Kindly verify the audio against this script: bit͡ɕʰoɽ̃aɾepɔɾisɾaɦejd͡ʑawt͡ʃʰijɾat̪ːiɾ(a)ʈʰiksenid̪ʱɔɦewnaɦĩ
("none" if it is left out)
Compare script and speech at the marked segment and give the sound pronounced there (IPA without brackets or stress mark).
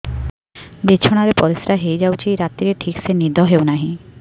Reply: e